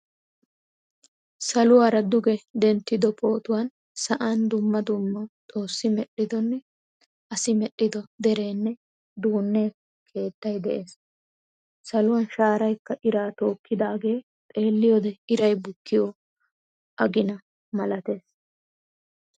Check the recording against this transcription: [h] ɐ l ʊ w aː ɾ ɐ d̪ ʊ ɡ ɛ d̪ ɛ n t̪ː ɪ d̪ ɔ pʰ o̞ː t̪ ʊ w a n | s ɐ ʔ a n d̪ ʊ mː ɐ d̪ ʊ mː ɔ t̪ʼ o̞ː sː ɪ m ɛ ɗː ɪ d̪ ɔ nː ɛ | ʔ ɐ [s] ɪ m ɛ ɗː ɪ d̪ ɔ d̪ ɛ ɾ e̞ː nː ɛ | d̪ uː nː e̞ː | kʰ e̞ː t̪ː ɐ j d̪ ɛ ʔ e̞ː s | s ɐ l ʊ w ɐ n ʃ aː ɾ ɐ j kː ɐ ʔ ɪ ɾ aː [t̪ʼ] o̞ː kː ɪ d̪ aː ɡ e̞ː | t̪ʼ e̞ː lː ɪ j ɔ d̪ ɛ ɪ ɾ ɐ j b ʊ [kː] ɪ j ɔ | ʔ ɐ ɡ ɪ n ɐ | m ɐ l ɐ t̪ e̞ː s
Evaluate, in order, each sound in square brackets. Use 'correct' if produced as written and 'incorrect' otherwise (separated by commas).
incorrect, correct, incorrect, correct